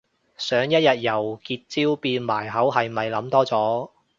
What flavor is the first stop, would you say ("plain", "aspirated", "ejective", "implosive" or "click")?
plain